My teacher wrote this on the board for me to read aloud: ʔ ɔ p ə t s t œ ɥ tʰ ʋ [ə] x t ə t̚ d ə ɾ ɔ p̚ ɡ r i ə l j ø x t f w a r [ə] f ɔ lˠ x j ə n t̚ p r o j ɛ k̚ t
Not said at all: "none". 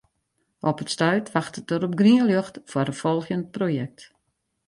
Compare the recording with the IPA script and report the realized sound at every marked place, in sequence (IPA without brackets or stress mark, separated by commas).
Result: a, ə